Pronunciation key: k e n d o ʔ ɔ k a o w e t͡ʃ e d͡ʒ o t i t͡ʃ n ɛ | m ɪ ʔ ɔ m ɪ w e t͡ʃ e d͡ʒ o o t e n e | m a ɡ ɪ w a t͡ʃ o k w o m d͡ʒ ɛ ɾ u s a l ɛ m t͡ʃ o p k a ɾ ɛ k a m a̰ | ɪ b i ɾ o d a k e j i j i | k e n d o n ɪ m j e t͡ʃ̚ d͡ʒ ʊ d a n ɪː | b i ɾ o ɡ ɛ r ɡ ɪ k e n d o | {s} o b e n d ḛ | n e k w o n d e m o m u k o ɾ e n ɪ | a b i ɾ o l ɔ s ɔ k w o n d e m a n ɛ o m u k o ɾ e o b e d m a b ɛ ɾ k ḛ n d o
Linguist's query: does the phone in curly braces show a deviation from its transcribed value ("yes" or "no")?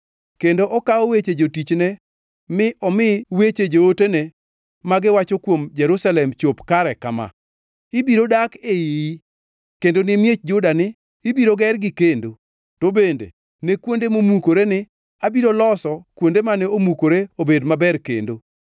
yes